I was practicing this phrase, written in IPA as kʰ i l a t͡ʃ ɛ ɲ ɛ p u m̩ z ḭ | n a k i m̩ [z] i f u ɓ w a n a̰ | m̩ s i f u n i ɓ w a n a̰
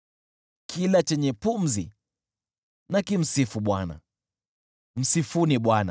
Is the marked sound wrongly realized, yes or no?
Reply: yes